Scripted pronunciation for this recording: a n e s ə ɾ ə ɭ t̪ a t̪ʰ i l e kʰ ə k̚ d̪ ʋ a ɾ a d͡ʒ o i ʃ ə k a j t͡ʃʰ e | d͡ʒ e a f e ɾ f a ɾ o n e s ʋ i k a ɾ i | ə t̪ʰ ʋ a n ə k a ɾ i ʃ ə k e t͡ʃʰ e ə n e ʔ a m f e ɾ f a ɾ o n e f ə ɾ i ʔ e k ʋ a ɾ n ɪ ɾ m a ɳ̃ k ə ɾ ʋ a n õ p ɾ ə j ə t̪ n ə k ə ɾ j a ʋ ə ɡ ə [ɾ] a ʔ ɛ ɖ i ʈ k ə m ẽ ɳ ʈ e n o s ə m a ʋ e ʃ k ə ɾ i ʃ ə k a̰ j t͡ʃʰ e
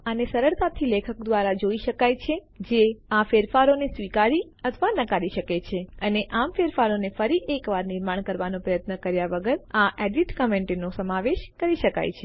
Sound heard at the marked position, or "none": ɾ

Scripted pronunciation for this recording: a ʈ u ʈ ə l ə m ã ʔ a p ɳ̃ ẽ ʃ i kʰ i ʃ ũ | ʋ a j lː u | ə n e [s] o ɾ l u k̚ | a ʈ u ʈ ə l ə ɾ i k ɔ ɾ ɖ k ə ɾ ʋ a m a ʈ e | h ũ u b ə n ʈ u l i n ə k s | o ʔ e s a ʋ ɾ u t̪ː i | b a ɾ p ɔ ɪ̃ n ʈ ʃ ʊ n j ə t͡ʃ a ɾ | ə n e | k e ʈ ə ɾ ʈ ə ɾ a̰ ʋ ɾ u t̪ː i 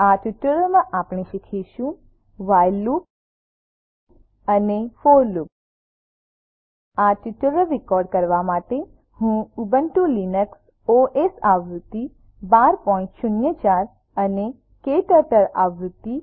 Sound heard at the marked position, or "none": f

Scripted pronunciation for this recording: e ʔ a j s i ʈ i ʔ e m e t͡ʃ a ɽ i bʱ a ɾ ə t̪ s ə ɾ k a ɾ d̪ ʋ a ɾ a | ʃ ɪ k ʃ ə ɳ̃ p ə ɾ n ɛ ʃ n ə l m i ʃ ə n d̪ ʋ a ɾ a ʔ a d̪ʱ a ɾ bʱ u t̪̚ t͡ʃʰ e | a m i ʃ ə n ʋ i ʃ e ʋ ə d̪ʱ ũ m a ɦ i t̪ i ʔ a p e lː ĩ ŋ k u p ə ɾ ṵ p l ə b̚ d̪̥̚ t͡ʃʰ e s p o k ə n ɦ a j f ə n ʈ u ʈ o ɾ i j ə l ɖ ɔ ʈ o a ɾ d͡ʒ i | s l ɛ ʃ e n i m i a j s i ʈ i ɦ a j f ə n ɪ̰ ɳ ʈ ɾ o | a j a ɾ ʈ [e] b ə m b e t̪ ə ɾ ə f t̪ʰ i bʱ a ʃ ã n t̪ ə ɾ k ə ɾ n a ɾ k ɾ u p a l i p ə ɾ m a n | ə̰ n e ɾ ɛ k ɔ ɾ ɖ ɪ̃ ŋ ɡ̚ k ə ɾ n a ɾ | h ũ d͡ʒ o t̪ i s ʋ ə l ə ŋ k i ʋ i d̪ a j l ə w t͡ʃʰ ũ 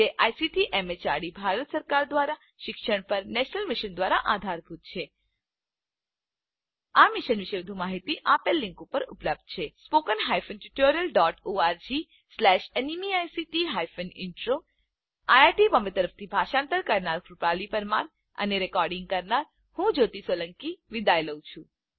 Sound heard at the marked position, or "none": i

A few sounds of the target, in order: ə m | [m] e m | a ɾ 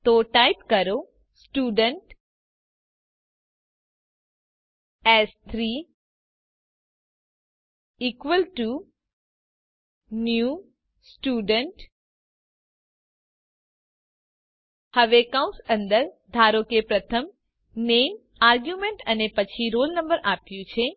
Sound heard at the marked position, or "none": n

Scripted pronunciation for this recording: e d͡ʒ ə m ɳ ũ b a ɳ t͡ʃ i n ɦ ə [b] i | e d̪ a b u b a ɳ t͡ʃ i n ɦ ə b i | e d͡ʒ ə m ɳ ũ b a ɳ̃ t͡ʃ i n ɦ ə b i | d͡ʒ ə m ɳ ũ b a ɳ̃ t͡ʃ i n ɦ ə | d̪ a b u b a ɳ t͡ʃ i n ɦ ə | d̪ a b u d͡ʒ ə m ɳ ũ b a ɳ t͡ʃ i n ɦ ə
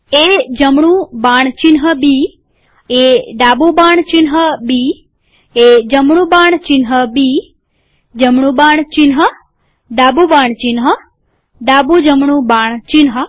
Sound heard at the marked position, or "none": b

